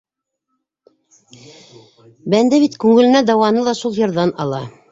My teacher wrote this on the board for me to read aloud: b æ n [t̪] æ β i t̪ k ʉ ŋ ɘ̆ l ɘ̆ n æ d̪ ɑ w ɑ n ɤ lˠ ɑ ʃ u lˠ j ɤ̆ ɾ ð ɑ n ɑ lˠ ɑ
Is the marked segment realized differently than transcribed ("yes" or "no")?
yes